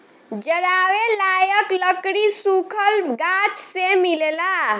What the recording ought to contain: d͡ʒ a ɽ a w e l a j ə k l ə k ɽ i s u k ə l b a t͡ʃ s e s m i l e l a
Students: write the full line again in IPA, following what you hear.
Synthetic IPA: d͡ʒ ə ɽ a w e l a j ə k l ə k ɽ i s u kʰ ə l ɡ a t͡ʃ s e m i l e l a